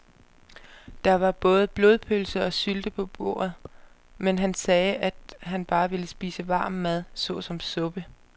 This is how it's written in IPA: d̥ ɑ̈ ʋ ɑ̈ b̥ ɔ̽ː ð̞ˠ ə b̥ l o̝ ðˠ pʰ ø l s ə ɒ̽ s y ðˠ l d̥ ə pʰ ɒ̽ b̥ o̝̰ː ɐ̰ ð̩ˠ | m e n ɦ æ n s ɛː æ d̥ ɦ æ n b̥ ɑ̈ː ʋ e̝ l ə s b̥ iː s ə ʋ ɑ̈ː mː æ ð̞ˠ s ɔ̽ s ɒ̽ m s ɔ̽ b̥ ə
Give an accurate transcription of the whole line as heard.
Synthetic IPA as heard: d̥ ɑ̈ ʋ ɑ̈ b̥ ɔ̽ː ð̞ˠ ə b̥ l o̝ ðˠ pʰ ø l s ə ɒ̽ s y l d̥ ə pʰ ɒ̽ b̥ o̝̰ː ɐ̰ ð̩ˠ | m e n ɦ æ n s ɛː æ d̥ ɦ æ n b̥ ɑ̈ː ʋ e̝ l ə s b̥ iː s ə ʋ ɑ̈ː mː æ ð̞ˠ s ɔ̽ s ɒ̽ m s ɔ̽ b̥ ə